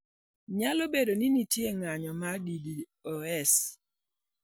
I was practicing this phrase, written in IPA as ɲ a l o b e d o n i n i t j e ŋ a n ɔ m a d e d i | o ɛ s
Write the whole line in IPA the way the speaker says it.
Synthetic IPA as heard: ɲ a l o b e d o n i n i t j e ŋ a ɲ ɔ m a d i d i | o ɛ s